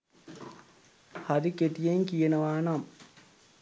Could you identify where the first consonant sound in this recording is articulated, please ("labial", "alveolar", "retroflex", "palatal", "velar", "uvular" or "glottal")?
glottal